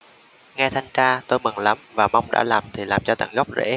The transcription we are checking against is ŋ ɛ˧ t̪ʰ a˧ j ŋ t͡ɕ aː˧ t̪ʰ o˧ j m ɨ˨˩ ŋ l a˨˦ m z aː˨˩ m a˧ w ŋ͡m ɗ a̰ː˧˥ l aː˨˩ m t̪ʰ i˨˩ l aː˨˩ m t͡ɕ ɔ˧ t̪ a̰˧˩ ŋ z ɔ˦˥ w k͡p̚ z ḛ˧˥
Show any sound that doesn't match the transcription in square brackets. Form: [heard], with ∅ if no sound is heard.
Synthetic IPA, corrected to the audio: ŋ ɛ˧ t̪ʰ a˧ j ŋ t͡ɕ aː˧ [t̪] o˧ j m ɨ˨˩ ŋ l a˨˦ m [v] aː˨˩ m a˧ w ŋ͡m ɗ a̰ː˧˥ l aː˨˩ m t̪ʰ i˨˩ l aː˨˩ m t͡ɕ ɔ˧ t̪ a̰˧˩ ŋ [ɣ] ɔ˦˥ w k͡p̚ z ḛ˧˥